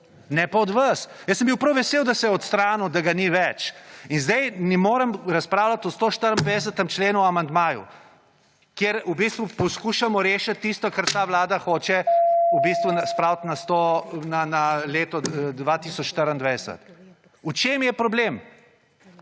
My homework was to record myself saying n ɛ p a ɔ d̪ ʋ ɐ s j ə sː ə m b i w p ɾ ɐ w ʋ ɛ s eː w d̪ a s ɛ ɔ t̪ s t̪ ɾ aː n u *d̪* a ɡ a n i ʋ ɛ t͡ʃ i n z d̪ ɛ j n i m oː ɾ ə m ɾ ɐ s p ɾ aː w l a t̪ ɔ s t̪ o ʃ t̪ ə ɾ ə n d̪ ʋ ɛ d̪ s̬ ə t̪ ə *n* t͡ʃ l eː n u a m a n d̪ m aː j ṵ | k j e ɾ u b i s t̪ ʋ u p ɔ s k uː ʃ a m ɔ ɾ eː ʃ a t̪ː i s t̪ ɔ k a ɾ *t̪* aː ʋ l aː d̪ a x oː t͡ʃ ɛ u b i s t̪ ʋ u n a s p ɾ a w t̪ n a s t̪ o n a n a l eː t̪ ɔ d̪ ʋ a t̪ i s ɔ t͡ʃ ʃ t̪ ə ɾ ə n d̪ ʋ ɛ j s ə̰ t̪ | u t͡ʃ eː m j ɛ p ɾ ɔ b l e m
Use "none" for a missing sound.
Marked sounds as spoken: d̪, m, t̪

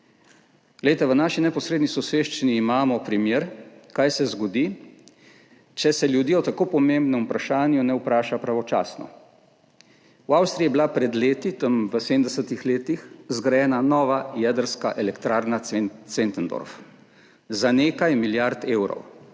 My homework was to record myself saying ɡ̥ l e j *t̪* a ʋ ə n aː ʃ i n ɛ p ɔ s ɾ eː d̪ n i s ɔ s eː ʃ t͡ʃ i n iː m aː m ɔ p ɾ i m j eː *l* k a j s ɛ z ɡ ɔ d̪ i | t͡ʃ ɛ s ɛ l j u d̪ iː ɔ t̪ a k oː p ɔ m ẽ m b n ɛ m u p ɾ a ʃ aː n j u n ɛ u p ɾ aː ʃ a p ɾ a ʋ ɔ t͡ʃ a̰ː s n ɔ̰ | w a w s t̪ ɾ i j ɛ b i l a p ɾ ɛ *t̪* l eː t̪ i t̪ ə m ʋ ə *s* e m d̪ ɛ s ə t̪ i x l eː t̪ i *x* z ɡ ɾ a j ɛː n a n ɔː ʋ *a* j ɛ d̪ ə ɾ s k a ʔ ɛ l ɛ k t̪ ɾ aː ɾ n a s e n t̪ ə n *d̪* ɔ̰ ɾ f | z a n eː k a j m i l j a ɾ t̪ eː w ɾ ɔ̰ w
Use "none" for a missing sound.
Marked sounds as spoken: t̪, ɾ, d̪, s, x, a, d̪

